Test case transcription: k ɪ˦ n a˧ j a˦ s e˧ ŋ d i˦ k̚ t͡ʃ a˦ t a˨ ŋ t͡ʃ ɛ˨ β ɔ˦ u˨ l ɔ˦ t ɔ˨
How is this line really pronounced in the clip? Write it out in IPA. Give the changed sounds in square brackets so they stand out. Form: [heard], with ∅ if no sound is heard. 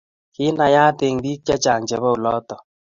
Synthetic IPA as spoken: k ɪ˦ n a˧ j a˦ [t] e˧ ŋ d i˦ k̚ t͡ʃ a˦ [t͡ʃ] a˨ ŋ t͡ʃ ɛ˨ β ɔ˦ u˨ l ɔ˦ t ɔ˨